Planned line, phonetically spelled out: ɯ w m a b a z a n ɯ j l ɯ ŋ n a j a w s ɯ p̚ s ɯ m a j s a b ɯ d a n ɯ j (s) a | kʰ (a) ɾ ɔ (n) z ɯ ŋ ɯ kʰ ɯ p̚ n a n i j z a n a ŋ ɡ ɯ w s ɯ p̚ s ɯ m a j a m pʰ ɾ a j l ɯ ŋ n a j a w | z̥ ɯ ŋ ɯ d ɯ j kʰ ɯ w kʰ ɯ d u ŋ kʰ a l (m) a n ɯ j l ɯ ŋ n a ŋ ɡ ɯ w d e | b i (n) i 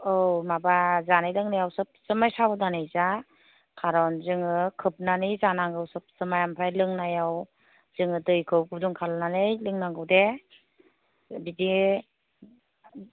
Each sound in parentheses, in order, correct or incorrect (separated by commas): incorrect, correct, correct, incorrect, incorrect